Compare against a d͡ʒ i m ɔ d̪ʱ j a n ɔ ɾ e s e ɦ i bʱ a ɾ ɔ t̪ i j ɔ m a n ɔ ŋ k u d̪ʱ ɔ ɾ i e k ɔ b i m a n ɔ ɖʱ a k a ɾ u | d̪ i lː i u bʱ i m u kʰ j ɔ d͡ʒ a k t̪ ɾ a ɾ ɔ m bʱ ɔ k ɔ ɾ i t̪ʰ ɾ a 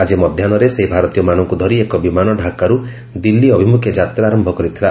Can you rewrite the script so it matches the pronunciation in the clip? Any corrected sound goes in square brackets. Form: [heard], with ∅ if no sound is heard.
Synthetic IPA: a d͡ʒ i m ɔ d̪ʱ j a n ɔ ɾ e s e ɦ i bʱ a ɾ ɔ t̪ i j ɔ m a n ɔ ŋ k u d̪ʱ ɔ ɾ i e k ɔ b i m a n ɔ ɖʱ a k a ɾ u | d̪ i lː i [ɔ] bʱ i m u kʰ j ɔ d͡ʒ a [∅] t̪ ɾ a ɾ ɔ m bʱ ɔ k ɔ ɾ i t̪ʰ ɾ a